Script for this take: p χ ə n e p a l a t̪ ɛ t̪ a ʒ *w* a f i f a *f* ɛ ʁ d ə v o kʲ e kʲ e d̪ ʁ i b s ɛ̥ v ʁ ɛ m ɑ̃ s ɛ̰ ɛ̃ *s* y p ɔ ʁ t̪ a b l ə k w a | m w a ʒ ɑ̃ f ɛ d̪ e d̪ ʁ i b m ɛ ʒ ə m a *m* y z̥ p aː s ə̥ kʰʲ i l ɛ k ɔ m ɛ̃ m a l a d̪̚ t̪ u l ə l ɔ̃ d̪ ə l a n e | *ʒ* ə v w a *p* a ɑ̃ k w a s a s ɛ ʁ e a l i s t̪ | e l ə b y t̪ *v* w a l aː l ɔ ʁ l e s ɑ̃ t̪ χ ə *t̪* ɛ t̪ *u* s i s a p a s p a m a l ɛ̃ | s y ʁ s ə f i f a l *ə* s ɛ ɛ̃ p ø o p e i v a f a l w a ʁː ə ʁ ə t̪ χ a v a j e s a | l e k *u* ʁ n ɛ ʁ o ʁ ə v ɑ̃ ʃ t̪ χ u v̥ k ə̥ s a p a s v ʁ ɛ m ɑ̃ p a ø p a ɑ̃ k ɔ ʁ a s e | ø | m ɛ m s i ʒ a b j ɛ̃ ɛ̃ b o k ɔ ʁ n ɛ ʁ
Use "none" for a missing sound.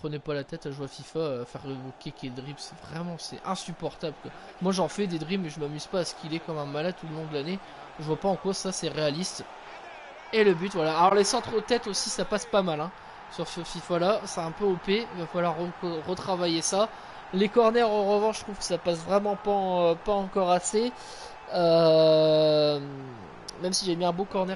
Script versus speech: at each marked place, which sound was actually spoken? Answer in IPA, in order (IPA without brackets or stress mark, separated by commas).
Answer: w, f, s, m, ʒ, p, v, t̪, o, a, ɔ